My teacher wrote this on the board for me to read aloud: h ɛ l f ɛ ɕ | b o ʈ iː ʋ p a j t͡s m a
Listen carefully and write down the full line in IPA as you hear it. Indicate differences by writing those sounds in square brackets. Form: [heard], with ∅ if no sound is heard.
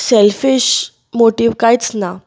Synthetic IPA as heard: [s] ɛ l f [i] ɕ | [m] o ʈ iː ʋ [k] a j t͡s [n] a